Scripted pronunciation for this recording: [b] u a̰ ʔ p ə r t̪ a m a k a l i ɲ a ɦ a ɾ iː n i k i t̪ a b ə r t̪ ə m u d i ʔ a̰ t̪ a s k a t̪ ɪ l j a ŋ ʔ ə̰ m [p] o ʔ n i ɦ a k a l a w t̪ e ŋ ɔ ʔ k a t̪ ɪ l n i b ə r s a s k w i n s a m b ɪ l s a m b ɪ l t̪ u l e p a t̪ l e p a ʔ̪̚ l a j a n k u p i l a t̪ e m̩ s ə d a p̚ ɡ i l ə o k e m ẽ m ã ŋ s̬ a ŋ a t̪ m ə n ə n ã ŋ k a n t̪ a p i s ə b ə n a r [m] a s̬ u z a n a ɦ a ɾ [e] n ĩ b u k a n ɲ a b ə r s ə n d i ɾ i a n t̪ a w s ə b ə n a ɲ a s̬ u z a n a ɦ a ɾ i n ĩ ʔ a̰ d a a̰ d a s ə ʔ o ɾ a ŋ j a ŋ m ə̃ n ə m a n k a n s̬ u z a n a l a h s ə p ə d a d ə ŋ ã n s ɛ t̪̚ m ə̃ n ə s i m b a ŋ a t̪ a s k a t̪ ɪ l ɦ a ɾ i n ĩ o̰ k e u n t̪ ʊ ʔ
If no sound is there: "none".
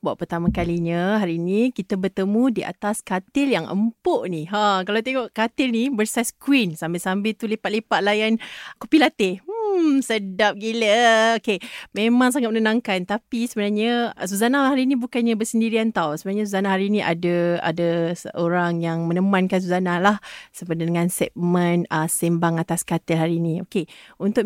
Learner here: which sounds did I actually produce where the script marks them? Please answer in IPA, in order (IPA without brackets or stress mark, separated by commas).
b, p, ɲ, i